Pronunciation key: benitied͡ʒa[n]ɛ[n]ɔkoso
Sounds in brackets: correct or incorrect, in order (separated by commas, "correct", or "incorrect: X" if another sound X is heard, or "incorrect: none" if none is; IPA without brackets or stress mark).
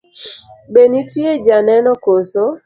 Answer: correct, correct